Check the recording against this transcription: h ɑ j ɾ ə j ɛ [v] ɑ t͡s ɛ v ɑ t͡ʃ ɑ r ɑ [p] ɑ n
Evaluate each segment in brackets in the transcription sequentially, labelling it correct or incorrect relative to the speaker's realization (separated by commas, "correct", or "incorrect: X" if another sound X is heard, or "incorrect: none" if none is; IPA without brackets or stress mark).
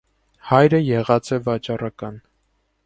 incorrect: ʁ, incorrect: k